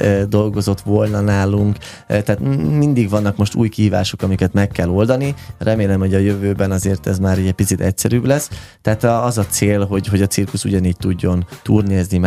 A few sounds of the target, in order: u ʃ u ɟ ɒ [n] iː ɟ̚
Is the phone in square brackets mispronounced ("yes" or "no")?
no